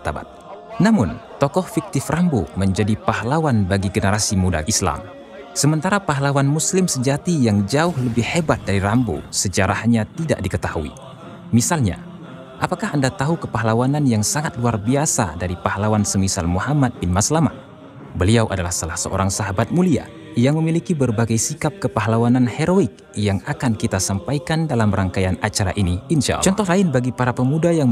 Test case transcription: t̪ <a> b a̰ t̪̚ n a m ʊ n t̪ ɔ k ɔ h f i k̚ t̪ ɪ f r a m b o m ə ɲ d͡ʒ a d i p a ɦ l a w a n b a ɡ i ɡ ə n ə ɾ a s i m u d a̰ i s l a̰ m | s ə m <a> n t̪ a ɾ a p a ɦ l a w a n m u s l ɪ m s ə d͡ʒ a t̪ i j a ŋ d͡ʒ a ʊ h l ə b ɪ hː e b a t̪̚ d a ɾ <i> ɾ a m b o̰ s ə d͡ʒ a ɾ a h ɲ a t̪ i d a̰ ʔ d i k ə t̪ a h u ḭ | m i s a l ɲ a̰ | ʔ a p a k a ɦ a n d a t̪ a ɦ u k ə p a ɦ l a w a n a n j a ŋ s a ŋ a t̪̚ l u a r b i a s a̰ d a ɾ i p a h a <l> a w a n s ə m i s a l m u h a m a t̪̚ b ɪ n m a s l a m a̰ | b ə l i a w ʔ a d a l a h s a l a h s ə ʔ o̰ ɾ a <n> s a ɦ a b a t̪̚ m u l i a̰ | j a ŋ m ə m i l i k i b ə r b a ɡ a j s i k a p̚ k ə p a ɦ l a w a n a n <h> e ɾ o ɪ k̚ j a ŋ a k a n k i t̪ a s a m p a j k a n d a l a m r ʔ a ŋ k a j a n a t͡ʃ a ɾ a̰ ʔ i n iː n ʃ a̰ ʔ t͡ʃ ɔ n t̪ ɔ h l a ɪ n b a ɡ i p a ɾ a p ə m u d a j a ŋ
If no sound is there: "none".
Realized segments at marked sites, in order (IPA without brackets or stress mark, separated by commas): a, ə, i, l, ŋ, h